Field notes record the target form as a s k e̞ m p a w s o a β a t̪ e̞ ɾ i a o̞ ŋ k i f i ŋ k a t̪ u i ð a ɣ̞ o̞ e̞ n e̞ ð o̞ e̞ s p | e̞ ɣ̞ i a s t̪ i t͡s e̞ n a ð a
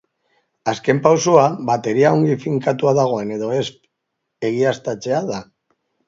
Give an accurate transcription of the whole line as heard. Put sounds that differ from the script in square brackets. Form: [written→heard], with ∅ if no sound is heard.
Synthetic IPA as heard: a s k e̞ m p a w s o a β a t̪ e̞ ɾ i a o̞ ŋ [k→ɡ] i f i ŋ k a t̪ u [i→a] ð a ɣ̞ o̞ e̞ n e̞ ð o̞ e̞ s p | e̞ ɣ̞ i a s t̪ [i→a] t͡s e̞ [n→∅] a ð a